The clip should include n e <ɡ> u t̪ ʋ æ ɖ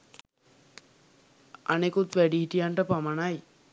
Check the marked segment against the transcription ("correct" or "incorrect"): incorrect